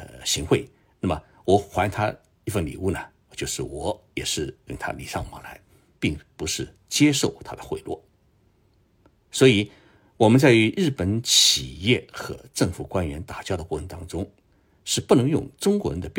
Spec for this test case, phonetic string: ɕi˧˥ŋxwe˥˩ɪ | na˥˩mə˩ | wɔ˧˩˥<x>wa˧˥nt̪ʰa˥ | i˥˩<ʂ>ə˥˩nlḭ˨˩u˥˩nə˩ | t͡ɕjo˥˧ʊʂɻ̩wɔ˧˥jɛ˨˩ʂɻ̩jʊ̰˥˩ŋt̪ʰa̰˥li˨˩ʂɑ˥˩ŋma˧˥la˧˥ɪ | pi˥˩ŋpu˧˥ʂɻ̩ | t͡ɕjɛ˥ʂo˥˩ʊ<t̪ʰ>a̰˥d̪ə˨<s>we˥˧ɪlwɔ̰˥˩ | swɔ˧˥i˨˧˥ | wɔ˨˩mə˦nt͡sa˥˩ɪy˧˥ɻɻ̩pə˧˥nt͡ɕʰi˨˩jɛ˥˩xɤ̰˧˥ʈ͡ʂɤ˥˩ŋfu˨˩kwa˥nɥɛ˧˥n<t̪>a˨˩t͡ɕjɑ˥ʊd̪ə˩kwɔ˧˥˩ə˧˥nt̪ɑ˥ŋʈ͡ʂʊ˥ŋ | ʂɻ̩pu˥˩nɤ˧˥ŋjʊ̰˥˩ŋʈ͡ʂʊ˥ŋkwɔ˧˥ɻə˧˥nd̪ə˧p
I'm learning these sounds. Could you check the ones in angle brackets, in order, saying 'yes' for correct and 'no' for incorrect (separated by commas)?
yes, no, yes, no, yes